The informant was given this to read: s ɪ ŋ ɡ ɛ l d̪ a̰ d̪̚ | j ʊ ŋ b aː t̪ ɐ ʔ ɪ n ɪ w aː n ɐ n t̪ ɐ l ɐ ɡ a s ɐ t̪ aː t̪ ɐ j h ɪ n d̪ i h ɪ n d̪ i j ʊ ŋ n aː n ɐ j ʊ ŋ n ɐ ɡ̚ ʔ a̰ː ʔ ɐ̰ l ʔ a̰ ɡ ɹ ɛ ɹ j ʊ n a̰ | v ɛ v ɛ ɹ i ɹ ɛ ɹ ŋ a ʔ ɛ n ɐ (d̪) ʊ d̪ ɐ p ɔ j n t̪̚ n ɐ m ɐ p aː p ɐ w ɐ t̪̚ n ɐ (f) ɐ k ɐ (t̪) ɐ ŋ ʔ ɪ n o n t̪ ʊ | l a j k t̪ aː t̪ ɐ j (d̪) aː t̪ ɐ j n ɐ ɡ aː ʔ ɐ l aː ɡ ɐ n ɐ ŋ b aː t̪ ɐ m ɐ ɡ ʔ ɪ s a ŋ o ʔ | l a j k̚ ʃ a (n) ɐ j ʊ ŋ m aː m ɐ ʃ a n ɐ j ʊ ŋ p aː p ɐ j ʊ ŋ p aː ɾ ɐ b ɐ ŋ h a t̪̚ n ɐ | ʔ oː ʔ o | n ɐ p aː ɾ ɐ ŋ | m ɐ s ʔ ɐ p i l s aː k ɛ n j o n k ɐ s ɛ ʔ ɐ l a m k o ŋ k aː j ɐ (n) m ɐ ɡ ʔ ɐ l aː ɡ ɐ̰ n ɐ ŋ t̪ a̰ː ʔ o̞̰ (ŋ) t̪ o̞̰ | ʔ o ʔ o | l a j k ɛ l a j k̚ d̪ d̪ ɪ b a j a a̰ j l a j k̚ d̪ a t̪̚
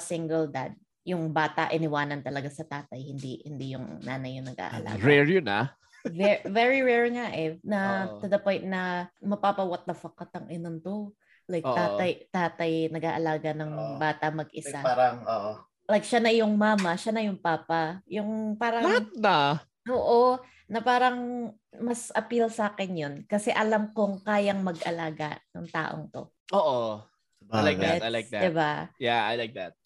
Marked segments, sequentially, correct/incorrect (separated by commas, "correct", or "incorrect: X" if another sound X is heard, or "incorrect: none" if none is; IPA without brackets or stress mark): incorrect: t̪, correct, correct, incorrect: t̪, correct, incorrect: ŋ, correct